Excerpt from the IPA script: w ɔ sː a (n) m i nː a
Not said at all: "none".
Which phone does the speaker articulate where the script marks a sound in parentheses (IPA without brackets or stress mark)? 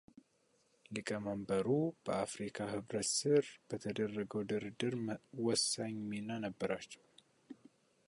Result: ɲ